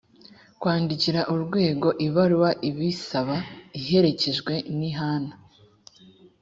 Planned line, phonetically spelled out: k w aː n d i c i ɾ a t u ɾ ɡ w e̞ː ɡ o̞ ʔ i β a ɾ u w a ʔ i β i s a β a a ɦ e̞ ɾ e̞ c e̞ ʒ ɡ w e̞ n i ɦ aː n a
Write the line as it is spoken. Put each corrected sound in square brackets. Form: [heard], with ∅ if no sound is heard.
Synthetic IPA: k w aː n d i c i ɾ a [ʔ] u ɾ ɡ w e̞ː ɡ o̞ ʔ i β a ɾ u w a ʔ i β i s a β a [i] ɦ e̞ ɾ e̞ c e̞ ʒ ɡ w e̞ n i ɦ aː n a